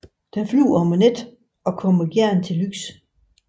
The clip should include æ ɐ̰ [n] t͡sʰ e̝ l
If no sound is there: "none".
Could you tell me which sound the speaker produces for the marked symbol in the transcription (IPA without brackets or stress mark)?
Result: n